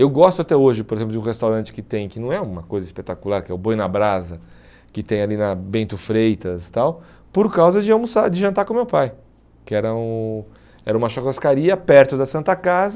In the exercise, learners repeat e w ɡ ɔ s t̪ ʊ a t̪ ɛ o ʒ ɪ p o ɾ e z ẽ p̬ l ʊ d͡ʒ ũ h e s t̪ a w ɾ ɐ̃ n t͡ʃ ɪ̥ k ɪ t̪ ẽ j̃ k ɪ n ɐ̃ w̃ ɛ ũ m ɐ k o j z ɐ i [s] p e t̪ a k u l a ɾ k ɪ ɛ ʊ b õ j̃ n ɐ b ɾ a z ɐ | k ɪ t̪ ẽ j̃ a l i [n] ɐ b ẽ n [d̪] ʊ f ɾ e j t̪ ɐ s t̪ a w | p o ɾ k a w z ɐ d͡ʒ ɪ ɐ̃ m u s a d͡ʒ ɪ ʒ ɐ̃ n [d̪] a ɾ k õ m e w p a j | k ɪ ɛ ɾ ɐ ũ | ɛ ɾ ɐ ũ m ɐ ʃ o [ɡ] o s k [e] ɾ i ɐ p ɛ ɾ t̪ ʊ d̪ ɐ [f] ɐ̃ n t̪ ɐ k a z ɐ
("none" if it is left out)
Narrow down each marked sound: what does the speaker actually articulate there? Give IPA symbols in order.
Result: s, n, t̪, t̪, k, a, s

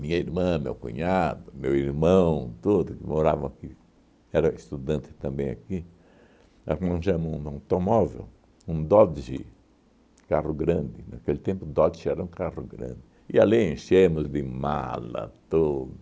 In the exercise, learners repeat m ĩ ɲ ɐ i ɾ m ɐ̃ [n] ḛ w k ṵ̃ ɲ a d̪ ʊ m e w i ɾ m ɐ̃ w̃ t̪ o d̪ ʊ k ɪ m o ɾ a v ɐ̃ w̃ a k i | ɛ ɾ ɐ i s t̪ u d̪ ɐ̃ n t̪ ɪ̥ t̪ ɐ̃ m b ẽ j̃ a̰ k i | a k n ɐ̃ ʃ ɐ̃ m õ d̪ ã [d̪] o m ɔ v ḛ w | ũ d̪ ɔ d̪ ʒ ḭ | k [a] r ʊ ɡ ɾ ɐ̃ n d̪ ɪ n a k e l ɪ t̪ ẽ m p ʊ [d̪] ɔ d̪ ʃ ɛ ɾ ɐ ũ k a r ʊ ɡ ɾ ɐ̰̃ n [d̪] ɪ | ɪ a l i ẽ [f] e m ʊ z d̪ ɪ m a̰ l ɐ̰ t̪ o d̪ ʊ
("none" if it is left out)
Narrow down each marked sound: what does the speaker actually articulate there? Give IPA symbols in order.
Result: m, t̪, a, d̪, d̪, ʃ

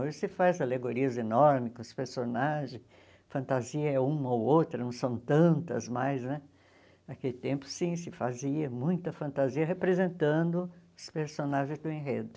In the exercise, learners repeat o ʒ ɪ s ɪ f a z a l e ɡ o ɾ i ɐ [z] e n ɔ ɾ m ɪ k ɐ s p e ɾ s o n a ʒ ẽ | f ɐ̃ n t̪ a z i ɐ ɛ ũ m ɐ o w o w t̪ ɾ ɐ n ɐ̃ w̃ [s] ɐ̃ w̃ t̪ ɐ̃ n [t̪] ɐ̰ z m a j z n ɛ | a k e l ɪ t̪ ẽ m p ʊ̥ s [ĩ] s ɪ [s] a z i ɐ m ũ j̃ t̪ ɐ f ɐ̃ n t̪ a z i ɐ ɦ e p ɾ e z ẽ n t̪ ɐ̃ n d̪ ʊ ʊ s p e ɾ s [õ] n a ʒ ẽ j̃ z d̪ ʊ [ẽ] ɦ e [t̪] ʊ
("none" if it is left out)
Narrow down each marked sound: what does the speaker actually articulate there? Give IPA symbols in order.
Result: z, s, t̪, ĩ, f, o, ẽ, d̪

